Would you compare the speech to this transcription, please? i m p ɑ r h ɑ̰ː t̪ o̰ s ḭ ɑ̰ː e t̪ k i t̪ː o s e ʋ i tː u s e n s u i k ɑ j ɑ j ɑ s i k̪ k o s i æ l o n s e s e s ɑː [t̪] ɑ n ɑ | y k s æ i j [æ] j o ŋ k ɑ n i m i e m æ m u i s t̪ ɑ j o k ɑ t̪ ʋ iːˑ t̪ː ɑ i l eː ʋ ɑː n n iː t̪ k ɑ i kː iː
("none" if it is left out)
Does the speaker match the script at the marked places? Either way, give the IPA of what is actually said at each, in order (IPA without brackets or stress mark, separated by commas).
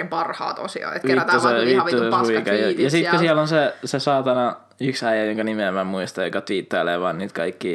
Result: t̪, æ